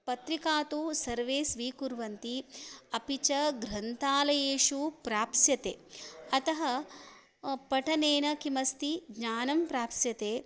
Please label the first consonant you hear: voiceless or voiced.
voiceless